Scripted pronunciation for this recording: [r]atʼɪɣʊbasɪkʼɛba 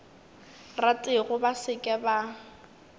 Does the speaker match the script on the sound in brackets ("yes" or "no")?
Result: yes